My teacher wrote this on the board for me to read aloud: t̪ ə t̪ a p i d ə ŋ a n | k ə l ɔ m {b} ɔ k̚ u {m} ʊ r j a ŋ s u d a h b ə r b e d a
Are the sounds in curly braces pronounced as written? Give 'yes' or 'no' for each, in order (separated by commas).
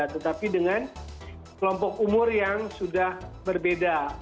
no, yes